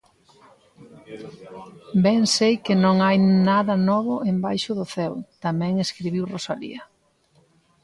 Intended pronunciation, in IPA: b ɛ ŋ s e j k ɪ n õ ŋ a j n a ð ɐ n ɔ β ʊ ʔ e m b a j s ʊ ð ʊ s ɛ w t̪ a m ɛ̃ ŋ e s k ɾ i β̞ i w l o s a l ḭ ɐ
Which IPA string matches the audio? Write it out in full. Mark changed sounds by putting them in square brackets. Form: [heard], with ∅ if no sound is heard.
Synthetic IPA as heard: b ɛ ŋ s e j k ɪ n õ ŋ a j n a ð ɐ n ɔ β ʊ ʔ e m b a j [ʃ] ʊ ð ʊ [θ] ɛ w t̪ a m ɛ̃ ŋ e s k ɾ i β̞ i w [r] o s a l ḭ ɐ